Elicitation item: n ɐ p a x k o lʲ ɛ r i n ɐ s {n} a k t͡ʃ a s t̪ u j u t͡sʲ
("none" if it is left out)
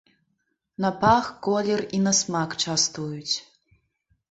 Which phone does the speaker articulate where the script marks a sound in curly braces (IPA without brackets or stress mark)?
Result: m